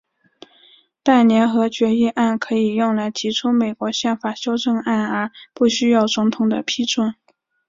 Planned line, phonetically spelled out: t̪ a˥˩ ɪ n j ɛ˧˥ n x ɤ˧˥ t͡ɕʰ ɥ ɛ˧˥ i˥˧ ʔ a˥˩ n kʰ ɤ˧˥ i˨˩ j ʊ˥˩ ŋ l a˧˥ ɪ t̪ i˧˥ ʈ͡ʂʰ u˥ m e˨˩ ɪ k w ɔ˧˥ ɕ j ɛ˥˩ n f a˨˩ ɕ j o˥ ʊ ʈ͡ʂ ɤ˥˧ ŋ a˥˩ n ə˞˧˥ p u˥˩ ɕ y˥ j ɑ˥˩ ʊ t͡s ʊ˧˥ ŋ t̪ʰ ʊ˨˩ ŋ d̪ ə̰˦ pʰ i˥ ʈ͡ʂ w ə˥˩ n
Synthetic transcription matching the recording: t̪ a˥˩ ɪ n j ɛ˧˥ n x ɤ˧˥ t͡ɕ ɥ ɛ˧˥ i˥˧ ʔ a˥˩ n kʰ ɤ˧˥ i˨˩ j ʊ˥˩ ŋ l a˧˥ ɪ t̪ʰ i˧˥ ʈ͡ʂʰ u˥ m e˨˩ ɪ k w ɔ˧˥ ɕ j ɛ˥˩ n f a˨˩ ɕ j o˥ ʊ ʈ͡ʂ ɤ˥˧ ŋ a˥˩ n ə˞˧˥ p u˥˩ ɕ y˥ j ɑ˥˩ ʊ t͡s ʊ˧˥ ŋ t̪ʰ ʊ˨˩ ŋ d̪ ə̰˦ pʰ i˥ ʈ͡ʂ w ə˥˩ n